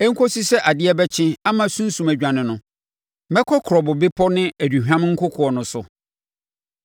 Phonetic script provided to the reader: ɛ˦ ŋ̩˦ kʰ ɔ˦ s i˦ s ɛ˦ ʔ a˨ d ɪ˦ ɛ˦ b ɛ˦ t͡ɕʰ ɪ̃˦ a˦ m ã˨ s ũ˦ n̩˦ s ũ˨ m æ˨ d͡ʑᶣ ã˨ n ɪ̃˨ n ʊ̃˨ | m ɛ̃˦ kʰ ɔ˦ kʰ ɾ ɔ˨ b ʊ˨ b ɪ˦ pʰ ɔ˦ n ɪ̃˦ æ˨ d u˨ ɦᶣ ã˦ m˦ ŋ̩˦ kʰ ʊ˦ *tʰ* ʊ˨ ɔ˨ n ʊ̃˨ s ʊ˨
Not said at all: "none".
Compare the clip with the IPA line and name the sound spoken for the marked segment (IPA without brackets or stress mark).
kʰ